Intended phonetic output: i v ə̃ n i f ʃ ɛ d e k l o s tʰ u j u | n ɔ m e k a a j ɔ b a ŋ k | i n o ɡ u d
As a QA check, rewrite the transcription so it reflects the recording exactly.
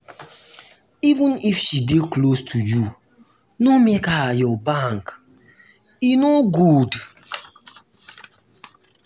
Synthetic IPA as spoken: i v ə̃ n i f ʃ i d e k l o s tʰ u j u | n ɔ m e k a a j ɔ b a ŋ k | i n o ɡ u d